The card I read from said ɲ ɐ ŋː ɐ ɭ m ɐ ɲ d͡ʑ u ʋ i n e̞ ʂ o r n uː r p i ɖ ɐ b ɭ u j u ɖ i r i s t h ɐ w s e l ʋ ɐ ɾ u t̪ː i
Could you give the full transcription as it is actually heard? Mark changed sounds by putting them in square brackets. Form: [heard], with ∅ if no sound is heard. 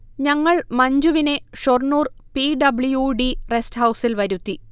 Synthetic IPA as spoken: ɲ ɐ ŋː ɐ ɭ m ɐ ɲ d͡ʑ u ʋ i n e̞ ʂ o r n uː r p i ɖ ɐ b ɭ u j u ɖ i r [e] s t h ɐ w s [i] l ʋ ɐ ɾ u t̪ː i